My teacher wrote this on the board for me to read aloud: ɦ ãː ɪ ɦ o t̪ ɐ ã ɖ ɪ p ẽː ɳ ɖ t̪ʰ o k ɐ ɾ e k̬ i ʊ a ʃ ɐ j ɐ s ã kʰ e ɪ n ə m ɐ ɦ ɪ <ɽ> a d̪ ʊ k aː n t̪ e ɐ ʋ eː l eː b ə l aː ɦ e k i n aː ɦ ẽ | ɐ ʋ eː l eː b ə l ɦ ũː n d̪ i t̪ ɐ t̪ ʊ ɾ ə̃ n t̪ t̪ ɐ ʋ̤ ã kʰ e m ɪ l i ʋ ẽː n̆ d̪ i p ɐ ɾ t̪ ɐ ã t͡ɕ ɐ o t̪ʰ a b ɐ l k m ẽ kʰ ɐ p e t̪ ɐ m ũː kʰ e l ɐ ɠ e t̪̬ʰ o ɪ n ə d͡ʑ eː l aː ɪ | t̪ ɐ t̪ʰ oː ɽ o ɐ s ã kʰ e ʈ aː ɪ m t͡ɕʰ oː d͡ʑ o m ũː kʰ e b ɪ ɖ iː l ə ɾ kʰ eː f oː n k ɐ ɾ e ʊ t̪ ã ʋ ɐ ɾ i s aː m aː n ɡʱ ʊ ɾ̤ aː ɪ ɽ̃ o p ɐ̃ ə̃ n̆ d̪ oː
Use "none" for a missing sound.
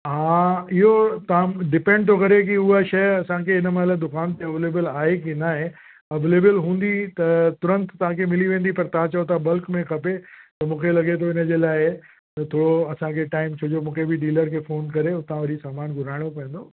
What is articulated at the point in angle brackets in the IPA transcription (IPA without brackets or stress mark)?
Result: l